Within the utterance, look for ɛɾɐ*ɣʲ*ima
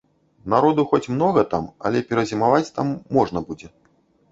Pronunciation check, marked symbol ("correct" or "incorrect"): incorrect